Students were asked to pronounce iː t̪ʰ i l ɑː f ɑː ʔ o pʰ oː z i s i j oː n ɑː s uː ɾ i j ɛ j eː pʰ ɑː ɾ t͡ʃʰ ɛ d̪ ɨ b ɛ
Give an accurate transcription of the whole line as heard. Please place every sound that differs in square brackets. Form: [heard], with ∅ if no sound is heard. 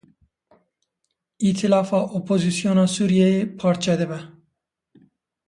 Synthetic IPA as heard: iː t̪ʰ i l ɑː f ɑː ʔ o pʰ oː z i s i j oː n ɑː s uː ɾ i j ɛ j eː pʰ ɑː ɾ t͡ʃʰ ɛ d̪ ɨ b ɛ

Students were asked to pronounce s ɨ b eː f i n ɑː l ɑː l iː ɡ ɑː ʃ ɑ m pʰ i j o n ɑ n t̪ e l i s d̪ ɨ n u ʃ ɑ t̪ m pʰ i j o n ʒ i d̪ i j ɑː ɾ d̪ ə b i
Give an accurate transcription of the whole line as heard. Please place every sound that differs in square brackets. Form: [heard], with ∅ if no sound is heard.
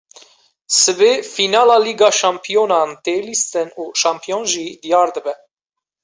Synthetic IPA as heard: s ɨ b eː f i n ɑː l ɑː l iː ɡ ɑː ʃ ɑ m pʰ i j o n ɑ n t̪ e l i s [t̪] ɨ n u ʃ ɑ [∅] m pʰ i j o n ʒ i d̪ i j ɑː ɾ d̪ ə b [ɛ]

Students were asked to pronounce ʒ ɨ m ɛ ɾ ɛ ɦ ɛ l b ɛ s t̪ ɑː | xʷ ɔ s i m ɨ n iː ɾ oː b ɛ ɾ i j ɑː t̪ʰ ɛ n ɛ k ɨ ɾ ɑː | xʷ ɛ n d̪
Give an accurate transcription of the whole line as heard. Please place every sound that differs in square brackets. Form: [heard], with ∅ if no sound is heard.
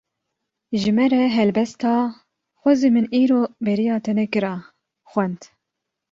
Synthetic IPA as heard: ʒ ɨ m ɛ ɾ ɛ ɦ ɛ l b ɛ s t̪ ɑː | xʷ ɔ [z] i m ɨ n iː ɾ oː b ɛ ɾ i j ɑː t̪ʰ ɛ n ɛ k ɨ ɾ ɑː | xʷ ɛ n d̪

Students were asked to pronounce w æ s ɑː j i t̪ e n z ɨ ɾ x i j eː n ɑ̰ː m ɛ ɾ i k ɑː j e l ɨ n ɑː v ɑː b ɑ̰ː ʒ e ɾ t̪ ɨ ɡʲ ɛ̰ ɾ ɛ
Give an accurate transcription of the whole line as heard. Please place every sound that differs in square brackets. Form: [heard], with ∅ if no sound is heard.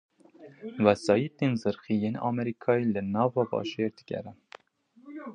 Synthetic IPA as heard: w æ s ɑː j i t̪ e n z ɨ ɾ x i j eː n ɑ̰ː m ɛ ɾ i [kʰ] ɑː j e l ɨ n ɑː v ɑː b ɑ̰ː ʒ e ɾ [d̪] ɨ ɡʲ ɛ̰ ɾ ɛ

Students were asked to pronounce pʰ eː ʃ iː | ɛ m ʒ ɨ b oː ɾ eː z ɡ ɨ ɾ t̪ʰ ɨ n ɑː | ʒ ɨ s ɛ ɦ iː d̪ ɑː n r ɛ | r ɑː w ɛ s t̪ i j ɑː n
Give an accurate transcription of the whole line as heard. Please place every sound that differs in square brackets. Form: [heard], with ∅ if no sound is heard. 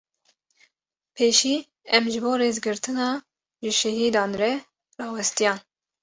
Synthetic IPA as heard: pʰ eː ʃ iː | ɛ m ʒ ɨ b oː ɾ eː z ɡ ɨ ɾ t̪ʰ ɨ n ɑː | ʒ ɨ [ʃ] ɛ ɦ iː d̪ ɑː n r ɛ | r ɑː w ɛ s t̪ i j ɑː n

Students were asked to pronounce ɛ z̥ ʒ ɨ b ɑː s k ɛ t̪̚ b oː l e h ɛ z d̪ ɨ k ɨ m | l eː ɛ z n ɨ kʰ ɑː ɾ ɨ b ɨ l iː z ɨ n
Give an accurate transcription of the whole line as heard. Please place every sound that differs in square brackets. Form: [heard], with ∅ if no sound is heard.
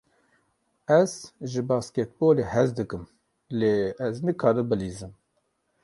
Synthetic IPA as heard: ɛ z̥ ʒ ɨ b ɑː s k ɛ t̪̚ b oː l e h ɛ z d̪ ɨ k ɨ m | l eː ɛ z n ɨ kʰ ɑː ɾ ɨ b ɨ l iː z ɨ [m]

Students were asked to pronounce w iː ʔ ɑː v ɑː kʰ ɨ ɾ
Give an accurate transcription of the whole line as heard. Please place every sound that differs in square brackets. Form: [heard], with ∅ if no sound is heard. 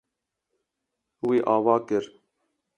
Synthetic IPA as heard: w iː ʔ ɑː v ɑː [k] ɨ ɾ

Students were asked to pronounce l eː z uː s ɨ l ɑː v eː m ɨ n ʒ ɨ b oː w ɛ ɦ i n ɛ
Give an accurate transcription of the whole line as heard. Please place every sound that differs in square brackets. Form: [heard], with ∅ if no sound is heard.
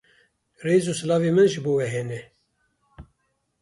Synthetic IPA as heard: [r] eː z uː s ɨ l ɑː v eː m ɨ n ʒ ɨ b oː w ɛ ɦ [ɛ] n ɛ

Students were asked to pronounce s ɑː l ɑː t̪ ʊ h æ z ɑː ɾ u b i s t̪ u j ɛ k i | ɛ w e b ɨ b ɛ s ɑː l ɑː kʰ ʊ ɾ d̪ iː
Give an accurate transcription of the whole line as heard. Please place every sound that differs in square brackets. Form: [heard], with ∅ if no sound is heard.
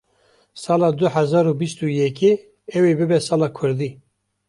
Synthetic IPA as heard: s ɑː l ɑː [d̪] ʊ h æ z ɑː ɾ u b i s t̪ u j ɛ k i | ɛ w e b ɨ b ɛ s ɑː l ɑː kʰ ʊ ɾ d̪ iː

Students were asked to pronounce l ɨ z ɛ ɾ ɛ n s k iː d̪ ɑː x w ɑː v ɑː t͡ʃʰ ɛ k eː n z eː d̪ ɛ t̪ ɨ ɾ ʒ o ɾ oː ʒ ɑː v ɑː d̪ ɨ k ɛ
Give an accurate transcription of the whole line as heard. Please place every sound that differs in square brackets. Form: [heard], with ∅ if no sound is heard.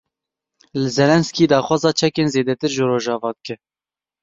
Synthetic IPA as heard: l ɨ z ɛ [l] ɛ n s k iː d̪ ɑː x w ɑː [z] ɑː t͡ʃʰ ɛ k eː n z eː d̪ ɛ t̪ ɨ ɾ ʒ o ɾ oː ʒ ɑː v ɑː d̪ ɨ k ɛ

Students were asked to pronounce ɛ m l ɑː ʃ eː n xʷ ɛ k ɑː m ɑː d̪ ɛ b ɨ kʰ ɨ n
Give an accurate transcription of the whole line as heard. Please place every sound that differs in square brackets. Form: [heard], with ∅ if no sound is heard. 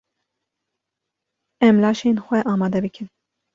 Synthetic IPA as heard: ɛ m l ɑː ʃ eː n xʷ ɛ [ʔ] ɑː m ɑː d̪ ɛ b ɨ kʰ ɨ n

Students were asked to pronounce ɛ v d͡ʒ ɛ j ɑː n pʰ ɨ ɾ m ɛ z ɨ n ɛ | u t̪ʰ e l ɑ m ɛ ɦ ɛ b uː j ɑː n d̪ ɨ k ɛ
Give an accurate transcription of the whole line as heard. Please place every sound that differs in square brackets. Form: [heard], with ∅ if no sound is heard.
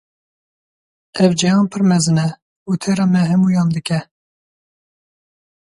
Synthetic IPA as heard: ɛ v d͡ʒ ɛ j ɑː n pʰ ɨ ɾ m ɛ z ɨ n ɛ | u t̪ʰ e [ɾ] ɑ m ɛ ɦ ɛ [m] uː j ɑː n d̪ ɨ k ɛ

